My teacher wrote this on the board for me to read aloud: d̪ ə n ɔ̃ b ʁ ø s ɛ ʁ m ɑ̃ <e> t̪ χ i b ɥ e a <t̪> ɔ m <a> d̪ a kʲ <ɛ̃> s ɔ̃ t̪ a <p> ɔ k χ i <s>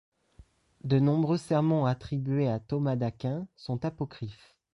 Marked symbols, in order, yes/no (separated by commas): no, yes, yes, yes, yes, no